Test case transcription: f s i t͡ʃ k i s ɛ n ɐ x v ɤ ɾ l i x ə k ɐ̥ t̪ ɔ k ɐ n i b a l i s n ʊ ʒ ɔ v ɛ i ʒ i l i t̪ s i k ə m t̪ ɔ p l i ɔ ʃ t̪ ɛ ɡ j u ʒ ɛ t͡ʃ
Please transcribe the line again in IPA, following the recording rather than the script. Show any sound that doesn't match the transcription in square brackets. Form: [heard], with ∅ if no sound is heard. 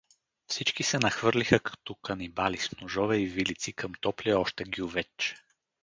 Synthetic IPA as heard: f s i t͡ʃ k i s ɛ n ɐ x v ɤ ɾ l i x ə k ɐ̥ t̪ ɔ k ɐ n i b a l i s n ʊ ʒ ɔ v ɛ i [v] i l i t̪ s i k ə m t̪ ɔ p l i ɔ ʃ t̪ ɛ ɡ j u [v] ɛ t͡ʃ